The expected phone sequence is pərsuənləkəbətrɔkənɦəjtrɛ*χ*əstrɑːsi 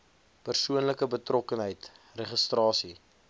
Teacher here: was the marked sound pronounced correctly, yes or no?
yes